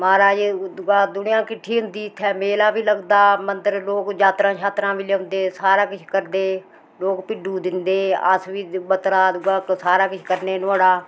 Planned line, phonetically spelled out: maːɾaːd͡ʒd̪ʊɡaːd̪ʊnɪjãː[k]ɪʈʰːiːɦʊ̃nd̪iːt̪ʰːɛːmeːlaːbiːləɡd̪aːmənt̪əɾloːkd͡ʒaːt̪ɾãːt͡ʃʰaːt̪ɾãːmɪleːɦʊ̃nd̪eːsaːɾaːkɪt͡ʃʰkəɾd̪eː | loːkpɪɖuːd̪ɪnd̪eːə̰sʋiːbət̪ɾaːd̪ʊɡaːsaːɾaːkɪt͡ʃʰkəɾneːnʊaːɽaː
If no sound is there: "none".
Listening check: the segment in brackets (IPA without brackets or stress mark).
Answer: k